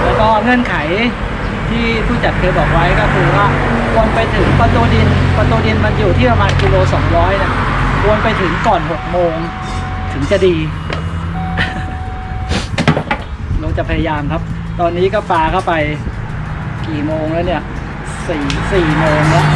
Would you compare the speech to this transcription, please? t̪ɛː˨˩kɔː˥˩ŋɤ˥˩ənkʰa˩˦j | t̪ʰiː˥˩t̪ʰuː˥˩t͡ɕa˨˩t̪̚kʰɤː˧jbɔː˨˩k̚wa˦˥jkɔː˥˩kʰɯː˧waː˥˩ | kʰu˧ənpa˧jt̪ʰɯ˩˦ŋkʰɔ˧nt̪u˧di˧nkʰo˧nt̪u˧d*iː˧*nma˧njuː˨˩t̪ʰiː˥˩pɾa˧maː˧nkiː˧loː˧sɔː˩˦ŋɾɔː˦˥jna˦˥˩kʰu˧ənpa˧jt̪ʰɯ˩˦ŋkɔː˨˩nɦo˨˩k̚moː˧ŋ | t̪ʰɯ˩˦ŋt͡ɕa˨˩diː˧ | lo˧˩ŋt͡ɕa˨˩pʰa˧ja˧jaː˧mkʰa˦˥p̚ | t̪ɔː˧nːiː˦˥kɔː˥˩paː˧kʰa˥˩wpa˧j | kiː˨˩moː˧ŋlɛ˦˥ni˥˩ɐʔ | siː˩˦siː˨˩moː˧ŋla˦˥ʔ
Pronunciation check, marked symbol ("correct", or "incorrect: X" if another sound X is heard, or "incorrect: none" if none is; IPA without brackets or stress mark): incorrect: i˧